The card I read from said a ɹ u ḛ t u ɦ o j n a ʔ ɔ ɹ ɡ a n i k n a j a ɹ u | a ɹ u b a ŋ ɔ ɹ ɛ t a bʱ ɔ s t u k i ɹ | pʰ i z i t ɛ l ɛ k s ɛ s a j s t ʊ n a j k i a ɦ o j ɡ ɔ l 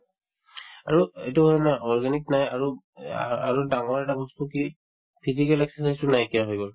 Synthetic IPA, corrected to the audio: a ɹ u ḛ t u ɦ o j n a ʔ ɔ ɹ ɡ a n i k n a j a ɹ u | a ɹ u d a ŋ ɔ ɹ ɛ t a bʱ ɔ s t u k i | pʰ i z i k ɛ l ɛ k s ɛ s a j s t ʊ n a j k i a ɦ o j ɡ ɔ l

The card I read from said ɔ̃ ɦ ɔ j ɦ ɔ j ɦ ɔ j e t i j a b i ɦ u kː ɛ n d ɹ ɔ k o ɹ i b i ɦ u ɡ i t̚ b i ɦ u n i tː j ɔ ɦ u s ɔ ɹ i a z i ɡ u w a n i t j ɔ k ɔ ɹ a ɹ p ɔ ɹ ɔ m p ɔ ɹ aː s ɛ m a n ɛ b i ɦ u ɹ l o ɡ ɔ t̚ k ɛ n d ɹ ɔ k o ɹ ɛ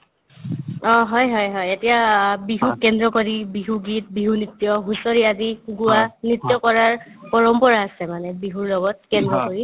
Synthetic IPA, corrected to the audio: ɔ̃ ɦ ɔ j ɦ ɔ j ɦ ɔ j e t i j a b i ɦ u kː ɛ n d ɹ ɔ k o ɹ i b i ɦ u ɡ i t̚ b i ɦ u n i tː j ɔ ɦ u s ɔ ɹ i a z i ɡ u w a n i t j ɔ k ɔ ɹ a ɹ p ɔ ɹ ɔ m p ɔ ɹ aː s ɛ m a n ɛ b i ɦ u ɹ l ɔ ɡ ɔ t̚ k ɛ n d ɹ ɔ k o ɹ i

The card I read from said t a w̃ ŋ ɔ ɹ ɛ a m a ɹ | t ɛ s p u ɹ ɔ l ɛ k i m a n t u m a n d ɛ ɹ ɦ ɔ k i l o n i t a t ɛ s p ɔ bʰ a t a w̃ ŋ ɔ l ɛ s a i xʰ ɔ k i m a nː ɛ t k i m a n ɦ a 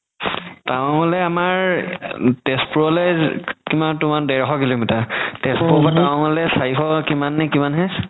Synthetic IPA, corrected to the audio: t a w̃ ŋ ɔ l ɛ a m a ɹ | t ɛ s p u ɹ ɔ l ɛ k i m a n t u m a n d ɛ ɹ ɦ ɔ k i l o m i t a t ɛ s p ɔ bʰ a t a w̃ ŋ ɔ l ɛ s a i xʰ ɔ k i m a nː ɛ k i m a n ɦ ɛ

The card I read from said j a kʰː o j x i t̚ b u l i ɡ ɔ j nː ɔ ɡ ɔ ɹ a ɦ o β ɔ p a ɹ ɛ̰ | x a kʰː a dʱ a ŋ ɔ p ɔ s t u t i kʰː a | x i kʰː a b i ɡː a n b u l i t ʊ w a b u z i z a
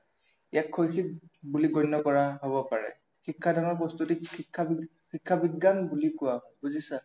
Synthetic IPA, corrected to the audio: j a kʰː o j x i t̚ b u l i ɡ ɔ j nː ɔ k ɔ ɹ a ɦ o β ɔ p a ɹ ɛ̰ | x i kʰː a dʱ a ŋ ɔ p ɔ s t u t i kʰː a | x i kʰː a b i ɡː a n b u l i k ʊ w a b u z i s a

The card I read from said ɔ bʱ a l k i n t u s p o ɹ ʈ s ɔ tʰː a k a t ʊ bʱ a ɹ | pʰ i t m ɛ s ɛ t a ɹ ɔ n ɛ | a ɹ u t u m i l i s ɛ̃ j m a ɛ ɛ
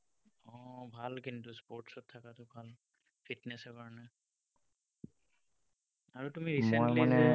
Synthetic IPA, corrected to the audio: ɔ bʱ a l k i n t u s p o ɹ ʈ s ɔ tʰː a k a t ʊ bʱ a l | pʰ i t n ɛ s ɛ k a ɹ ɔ n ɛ | a ɹ u t u m i ɹ i s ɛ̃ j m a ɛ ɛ

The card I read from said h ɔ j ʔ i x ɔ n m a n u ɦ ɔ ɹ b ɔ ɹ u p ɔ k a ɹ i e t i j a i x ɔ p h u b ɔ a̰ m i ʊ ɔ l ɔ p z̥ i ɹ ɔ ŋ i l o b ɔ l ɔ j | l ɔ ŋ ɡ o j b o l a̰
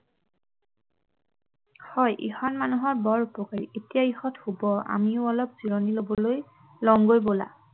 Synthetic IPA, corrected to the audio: h ɔ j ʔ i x ɔ n m a n u ɦ ɔ ɹ b ɔ ɹ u p ɔ k a ɹ i e t i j a i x ɔ t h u b ɔ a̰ m i ʊ ɔ l ɔ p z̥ i ɹ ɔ n i l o b ɔ l o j | l ɔ ŋ ɡ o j b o l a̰

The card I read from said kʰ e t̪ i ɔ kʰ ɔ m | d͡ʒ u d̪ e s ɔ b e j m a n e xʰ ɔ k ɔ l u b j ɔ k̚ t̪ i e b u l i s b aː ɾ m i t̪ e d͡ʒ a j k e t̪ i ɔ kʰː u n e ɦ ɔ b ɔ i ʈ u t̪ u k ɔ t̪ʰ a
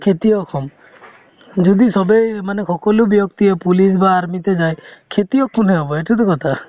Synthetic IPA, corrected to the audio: kʰ e t̪ i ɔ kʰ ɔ m | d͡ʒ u d̪ i s ɔ b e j m a n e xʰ ɔ k ɔ l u b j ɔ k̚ t̪ i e p u l i s b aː ɾ m i t̪ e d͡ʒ a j kʰ e t̪ i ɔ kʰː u n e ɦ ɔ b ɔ e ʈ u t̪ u k ɔ t̪ʰ a

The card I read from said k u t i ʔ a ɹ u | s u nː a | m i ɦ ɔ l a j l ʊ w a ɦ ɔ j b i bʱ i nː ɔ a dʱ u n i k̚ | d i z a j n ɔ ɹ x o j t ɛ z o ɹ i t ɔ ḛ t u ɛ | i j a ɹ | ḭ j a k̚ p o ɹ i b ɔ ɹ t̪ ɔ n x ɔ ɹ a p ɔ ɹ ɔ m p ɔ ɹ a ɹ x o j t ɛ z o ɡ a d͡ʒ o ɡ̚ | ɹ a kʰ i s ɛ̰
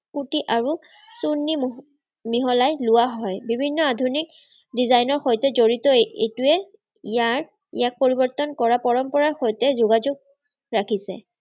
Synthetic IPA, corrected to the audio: k u t i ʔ a ɹ u | s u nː i | m i ɦ ɔ l a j l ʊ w a ɦ ɔ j b i bʱ i nː ɔ a dʱ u n i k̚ | d i z a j n ɔ ɹ x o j t ɛ z o ɹ i t ɔ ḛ t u ɛ | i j a ɹ | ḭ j a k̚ p o ɹ i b ɔ ɹ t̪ ɔ n k ɔ ɹ a p ɔ ɹ ɔ m p ɔ ɹ a ɹ x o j t ɛ z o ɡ a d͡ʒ o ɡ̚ | ɹ a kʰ i s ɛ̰

